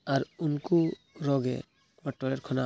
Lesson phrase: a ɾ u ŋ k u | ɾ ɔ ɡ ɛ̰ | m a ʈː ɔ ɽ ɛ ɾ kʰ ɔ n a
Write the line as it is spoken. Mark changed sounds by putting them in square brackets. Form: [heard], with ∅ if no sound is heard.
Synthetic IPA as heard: a ɾ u [n] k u | ɾ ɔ ɡ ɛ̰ | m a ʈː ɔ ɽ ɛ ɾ kʰ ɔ n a